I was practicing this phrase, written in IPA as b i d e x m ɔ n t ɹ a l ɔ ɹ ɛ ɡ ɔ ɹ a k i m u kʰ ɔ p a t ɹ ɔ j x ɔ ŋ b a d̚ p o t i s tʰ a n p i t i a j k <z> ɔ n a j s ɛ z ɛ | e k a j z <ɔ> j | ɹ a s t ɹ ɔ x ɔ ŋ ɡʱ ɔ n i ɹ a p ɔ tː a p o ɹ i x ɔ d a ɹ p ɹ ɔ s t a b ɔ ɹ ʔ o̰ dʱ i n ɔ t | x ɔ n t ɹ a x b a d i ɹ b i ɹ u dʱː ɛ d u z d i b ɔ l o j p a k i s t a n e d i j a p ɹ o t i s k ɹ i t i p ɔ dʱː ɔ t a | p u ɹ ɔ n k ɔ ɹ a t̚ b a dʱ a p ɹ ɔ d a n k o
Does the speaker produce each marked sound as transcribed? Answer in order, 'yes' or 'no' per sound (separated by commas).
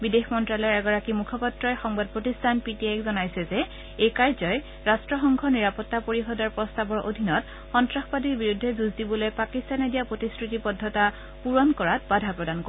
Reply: yes, yes